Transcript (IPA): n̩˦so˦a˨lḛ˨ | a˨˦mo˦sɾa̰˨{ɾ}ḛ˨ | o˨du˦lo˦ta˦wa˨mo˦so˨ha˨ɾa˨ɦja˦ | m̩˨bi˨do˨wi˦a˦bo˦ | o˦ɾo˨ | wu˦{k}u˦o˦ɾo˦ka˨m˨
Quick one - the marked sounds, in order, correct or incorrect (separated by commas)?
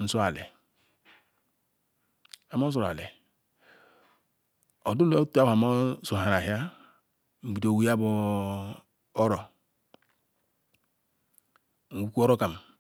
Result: incorrect, correct